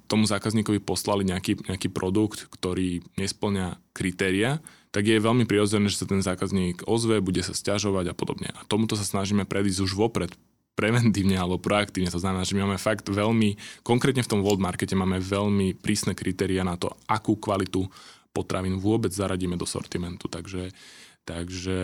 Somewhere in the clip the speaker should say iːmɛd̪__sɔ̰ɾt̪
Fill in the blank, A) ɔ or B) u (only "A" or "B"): A